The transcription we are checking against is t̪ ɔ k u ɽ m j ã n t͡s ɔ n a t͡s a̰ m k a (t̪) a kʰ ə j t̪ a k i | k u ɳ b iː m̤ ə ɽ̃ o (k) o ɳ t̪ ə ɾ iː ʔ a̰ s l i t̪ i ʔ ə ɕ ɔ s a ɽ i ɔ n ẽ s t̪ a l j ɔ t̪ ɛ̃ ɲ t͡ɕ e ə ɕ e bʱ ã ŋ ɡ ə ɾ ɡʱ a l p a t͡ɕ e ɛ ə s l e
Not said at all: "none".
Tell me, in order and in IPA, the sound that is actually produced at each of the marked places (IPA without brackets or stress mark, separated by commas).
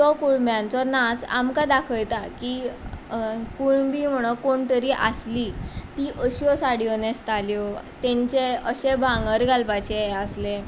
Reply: d̪, k